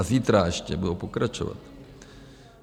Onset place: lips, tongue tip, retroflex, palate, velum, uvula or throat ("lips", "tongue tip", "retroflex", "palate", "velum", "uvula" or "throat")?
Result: tongue tip